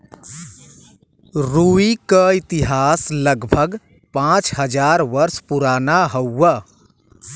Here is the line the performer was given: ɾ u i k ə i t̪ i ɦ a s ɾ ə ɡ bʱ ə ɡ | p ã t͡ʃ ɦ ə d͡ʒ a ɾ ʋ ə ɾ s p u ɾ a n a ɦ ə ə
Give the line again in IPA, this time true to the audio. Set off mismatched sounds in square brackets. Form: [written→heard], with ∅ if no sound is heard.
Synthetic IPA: ɾ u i k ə i t̪ i ɦ a s [ɾ→l] ə ɡ bʱ ə ɡ | p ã t͡ʃ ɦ ə d͡ʒ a ɾ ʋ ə ɾ s p u ɾ a n a ɦ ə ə